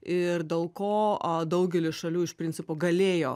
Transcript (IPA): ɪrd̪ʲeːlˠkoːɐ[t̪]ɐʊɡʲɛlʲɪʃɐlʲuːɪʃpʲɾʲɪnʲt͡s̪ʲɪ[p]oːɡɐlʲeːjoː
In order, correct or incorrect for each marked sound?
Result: incorrect: d̪, correct

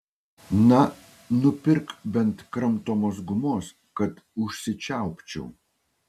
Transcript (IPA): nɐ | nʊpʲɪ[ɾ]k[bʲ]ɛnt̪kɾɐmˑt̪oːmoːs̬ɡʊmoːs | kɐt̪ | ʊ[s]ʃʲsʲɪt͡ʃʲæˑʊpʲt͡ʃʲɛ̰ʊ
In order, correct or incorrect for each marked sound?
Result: correct, correct, incorrect: none

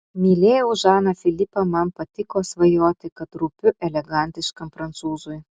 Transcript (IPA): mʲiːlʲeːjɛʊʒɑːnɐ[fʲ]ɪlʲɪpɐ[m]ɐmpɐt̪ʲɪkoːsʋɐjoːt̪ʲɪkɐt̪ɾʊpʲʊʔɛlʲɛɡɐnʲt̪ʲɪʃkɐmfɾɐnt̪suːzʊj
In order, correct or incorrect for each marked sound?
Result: correct, correct

